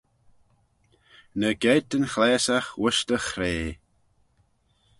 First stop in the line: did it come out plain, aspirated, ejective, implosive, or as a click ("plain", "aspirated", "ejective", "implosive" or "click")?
plain